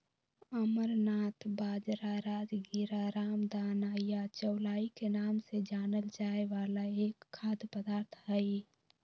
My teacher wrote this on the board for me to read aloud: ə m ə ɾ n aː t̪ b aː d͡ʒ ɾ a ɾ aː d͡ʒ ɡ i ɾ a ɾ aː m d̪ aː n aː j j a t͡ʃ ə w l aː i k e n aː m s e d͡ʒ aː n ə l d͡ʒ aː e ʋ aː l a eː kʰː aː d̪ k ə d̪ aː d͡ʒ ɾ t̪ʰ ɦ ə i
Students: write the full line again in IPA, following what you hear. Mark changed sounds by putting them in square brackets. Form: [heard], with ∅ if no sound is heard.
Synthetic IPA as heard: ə m ə ɾ n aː t̪ b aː d͡ʒ ɾ a ɾ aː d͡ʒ ɡ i ɾ a ɾ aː m d̪ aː n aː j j a t͡ʃ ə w l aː i k e n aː m s e d͡ʒ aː n ə l d͡ʒ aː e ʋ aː l a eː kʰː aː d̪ [p] ə d̪ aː [∅] ɾ t̪ʰ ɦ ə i